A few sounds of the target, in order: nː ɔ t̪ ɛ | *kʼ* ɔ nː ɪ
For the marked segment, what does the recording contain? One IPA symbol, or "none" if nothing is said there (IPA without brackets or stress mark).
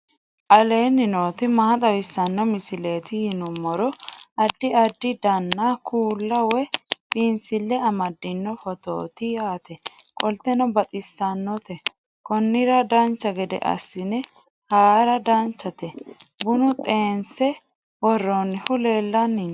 k